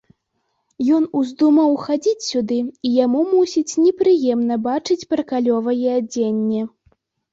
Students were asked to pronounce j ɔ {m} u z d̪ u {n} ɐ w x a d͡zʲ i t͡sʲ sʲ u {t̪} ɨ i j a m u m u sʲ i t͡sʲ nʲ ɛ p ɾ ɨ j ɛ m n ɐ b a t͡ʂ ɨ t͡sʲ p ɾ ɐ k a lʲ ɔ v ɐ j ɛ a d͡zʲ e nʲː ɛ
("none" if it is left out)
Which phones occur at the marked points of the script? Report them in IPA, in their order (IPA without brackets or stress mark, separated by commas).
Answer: n, m, d̪